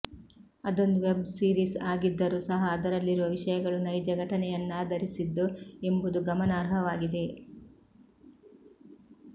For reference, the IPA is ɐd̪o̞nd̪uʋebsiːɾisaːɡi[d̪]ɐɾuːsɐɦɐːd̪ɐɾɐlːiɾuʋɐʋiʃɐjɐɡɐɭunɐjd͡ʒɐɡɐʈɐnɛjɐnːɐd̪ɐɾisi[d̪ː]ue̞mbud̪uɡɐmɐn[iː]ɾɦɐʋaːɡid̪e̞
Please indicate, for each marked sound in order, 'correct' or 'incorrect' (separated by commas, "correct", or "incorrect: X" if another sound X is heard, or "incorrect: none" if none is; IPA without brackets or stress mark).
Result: incorrect: d̪ː, correct, incorrect: aː